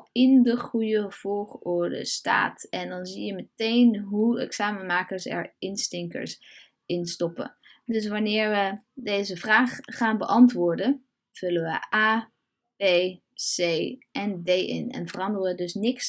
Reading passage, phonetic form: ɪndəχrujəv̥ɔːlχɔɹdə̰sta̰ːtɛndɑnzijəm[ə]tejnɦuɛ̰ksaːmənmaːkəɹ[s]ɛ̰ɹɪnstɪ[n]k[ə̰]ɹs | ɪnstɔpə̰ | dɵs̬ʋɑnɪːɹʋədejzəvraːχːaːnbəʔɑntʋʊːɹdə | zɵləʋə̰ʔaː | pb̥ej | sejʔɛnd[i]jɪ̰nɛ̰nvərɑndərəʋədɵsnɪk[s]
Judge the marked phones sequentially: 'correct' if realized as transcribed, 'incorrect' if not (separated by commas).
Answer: correct, correct, incorrect, correct, incorrect, correct